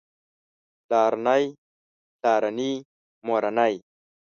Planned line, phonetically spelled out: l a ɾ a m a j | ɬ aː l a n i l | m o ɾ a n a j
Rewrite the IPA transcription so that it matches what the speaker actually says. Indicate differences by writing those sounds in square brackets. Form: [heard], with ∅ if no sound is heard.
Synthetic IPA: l a ɾ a [n] a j | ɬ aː [ɾ] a n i [∅] | m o ɾ a n a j